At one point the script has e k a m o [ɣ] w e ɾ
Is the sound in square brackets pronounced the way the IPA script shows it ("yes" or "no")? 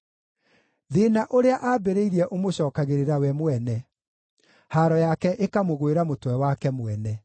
yes